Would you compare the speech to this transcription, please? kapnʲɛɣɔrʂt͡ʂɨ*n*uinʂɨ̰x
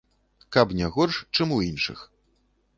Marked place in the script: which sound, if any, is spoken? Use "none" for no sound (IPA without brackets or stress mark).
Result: m